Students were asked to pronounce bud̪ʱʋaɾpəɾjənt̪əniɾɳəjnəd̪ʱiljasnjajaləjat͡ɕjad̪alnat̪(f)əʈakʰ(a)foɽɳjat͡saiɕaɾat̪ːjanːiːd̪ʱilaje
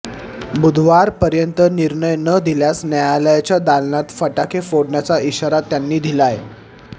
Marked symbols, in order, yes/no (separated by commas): yes, no